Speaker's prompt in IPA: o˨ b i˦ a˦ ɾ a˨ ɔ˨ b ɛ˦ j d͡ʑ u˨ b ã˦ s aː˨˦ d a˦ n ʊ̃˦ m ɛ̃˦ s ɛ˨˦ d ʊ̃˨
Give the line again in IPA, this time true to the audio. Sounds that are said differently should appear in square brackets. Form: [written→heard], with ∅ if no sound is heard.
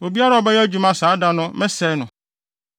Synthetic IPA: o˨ b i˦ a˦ ɾ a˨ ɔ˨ b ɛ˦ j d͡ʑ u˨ [b→m] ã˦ s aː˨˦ d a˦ n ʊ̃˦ m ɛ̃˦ s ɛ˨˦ [d→n] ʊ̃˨